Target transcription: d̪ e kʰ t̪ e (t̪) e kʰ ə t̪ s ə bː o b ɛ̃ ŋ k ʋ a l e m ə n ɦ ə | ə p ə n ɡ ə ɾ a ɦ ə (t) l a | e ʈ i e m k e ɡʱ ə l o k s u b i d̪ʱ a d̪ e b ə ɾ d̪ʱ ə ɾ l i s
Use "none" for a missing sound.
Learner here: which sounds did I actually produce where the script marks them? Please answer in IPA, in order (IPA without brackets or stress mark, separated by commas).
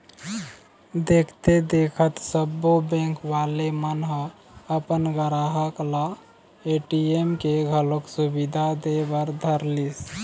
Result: d̪, k